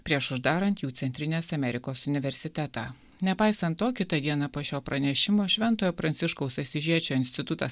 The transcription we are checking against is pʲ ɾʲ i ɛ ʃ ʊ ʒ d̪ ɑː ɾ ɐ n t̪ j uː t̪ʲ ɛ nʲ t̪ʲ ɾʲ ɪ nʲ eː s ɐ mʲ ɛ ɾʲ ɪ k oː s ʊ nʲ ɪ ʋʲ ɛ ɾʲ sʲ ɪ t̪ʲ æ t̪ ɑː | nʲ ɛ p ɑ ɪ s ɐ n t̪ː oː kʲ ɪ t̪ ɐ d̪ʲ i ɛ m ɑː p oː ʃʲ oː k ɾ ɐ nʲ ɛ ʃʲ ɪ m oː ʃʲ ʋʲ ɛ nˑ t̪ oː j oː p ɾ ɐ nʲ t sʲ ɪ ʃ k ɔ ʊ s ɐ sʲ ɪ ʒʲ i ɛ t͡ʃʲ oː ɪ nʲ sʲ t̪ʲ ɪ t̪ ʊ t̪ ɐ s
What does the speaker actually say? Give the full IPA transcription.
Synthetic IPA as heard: pʲ ɾʲ i ɛ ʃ ʊ ʒ d̪ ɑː ɾ ɐ n t̪ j uː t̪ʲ ɛ nʲ t̪ʲ ɾʲ ɪ nʲ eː s ɐ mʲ ɛ ɾʲ ɪ k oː s ʊ nʲ ɪ ʋʲ ɛ ɾʲ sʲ ɪ t̪ʲ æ t̪ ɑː | nʲ ɛ p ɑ ɪ s ɐ n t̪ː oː kʲ ɪ t̪ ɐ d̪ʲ i ɛ n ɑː p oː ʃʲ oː p ɾ ɐ nʲ ɛ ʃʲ ɪ m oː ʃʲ ʋʲ ɛ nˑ t̪ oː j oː p ɾ ɐ nʲ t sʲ ɪ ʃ k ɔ ʊ s ɐ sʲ ɪ ʒʲ i ɛ t͡ʃʲ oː ɪ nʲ sʲ t̪ʲ ɪ t̪ ʊ t̪ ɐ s